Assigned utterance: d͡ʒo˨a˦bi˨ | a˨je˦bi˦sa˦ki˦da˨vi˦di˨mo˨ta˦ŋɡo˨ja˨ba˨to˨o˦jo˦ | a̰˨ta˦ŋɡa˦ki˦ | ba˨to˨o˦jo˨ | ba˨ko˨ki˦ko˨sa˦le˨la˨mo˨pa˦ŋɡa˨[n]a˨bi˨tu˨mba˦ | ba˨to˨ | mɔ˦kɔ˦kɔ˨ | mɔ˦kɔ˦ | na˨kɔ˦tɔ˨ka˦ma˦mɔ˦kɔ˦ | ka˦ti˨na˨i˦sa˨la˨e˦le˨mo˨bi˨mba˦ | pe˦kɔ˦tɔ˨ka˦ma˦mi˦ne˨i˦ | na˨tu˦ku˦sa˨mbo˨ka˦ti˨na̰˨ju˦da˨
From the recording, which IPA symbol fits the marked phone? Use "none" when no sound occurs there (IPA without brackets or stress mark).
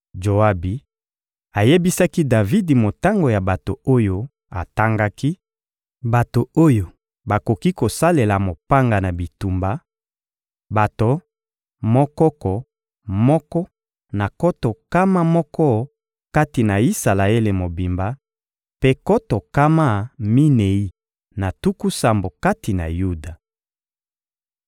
n